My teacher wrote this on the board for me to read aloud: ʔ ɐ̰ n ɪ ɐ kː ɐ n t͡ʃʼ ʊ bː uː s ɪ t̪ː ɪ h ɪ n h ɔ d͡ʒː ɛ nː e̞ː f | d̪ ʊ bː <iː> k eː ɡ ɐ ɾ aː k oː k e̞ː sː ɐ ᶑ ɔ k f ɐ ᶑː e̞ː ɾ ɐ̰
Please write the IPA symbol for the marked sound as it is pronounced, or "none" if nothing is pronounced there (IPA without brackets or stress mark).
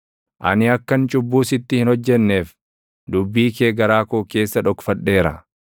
iː